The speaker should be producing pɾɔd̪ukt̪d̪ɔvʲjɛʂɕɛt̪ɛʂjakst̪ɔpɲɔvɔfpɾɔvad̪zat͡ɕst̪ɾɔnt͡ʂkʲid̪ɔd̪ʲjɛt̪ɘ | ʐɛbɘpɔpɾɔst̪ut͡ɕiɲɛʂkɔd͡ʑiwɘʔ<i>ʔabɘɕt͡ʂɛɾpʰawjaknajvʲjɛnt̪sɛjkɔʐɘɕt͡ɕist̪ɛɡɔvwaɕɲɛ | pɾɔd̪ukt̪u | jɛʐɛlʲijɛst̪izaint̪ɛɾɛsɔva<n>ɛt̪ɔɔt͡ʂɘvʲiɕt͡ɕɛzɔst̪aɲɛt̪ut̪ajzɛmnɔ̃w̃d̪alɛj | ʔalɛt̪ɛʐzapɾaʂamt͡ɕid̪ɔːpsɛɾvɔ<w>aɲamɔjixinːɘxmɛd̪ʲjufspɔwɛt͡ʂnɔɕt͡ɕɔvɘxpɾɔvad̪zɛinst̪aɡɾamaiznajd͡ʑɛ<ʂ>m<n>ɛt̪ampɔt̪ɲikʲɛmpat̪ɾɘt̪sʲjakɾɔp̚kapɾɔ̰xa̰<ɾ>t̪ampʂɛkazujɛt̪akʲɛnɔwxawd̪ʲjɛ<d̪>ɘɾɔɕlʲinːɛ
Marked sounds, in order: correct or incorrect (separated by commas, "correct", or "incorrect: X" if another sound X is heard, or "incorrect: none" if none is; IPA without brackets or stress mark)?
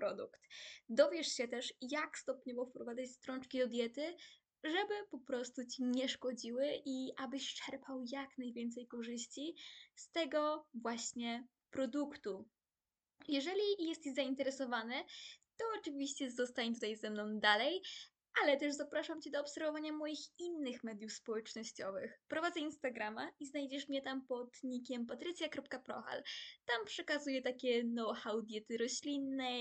correct, correct, incorrect: v, correct, incorrect: ɲ, incorrect: l, incorrect: t̪